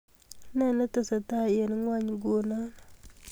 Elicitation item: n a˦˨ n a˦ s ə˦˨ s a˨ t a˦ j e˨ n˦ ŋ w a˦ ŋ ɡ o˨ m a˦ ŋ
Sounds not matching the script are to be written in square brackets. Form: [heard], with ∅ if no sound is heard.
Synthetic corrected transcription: n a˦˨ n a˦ [t] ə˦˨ s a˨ t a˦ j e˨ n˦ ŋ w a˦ [ɲ] ɡ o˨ [n] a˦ [n]